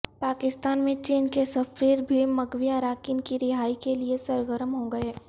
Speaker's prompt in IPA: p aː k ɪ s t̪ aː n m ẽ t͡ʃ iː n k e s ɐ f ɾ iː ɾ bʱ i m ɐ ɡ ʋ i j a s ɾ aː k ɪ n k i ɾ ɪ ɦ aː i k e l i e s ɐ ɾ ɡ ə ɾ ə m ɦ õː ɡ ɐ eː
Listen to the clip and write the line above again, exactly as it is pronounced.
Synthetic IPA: p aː k ɪ s t̪ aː n m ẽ t͡ʃ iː n k e s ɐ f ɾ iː ɾ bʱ i m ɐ ɡ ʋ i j a ɾ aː k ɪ n k i ɾ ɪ ɦ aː i k e l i e s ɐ ɾ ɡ ə ɾ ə m ɦ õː ɡ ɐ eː